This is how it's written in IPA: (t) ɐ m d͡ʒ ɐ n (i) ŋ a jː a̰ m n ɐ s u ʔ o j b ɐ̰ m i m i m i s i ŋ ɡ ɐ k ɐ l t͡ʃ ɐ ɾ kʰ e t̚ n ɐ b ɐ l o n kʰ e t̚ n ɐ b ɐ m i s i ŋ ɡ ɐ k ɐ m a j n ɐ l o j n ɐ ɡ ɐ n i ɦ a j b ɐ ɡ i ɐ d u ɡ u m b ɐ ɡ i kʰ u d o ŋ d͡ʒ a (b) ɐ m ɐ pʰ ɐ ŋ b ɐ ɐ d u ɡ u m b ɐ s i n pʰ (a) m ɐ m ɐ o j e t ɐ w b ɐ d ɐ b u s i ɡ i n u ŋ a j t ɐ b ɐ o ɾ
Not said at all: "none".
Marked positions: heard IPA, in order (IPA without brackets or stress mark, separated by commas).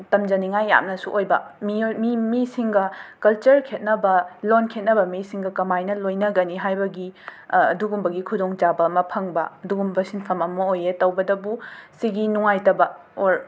t, i, b, ɐ